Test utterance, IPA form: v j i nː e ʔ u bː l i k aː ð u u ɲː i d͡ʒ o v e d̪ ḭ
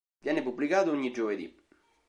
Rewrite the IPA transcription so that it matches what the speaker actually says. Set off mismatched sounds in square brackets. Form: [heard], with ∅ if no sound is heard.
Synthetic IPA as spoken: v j [ɛ] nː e [p] u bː l i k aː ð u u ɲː i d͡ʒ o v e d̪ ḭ

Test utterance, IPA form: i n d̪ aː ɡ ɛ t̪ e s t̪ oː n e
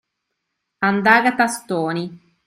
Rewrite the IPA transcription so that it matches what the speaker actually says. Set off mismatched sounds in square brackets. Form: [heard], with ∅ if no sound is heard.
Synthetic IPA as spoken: [a] n d̪ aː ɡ [a] t̪ [a] s t̪ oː n [i]

